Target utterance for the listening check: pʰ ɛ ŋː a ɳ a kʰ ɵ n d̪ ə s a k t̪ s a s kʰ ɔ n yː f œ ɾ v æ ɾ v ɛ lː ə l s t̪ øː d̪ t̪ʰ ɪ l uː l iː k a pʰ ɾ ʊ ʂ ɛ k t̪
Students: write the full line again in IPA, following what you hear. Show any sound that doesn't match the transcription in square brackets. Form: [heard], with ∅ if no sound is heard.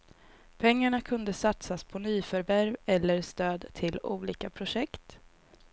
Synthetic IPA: pʰ ɛ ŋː a ɳ a kʰ ɵ n d̪ ə s a [∅] t̪ s a s [pʰ] ɔ n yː f œ ɾ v æ ɾ v ɛ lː ə [ɾ] s t̪ øː d̪ t̪ʰ ɪ l uː l iː k a pʰ ɾ ʊ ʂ ɛ k t̪